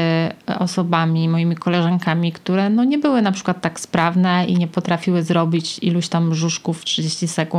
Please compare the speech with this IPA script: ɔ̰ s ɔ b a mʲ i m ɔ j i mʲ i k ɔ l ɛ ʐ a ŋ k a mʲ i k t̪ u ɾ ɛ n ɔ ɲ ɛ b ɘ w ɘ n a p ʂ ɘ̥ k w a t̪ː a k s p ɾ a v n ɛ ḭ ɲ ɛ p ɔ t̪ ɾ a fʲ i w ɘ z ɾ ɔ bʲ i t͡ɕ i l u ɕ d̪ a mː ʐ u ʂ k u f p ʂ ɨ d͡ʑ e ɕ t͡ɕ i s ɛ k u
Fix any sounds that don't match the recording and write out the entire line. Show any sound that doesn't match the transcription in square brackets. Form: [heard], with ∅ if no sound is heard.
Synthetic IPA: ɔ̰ s ɔ b a mʲ i m ɔ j i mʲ i k ɔ l ɛ ʐ a ŋ k a mʲ i k t̪ u ɾ ɛ n ɔ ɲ ɛ b ɘ w ɘ n a p ʂ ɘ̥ k w a t̪ː a k s p ɾ a v n ɛ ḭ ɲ ɛ p ɔ t̪ ɾ a fʲ i w ɘ z ɾ ɔ bʲ i t͡ɕ i l u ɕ [t̪] a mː ʐ u ʂ k u f [t] ʂ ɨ d͡ʑ e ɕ t͡ɕ i s ɛ k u